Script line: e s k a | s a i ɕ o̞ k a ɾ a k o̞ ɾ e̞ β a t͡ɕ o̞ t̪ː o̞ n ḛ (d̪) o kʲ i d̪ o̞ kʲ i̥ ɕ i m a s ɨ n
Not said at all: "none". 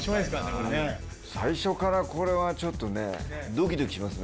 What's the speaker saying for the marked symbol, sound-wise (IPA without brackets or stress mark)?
d̪